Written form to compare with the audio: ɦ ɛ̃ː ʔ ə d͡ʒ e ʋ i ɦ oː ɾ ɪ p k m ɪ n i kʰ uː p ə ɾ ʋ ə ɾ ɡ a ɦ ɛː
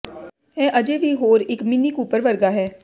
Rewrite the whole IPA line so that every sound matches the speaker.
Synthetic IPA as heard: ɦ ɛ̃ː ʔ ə d͡ʒ e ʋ i ɦ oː ɾ ɪ k m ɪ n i k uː p ə ɾ ʋ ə ɾ ɡ a ɦ ɛː